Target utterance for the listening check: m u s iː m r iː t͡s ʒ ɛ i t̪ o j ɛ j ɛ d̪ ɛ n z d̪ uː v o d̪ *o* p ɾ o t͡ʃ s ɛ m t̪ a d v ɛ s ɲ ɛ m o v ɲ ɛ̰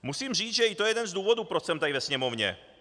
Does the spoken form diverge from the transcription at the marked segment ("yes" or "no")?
yes